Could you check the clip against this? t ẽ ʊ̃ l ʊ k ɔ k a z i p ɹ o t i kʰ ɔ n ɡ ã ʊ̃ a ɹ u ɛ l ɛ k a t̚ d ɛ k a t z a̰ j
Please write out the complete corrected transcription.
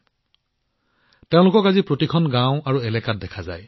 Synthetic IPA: t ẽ ʊ̃ l ʊ k ɔ k a z i p ɹ o t i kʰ ɔ n ɡ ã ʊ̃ a ɹ u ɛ l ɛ k a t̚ d ɛ kʰ a z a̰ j